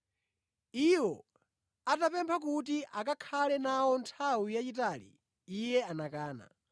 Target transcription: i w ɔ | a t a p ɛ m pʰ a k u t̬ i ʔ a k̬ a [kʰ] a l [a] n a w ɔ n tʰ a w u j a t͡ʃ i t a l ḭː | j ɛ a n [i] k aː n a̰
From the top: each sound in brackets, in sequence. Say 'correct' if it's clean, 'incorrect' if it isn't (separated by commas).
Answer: correct, incorrect, incorrect